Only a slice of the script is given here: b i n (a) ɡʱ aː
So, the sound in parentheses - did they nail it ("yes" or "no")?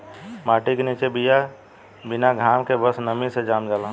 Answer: yes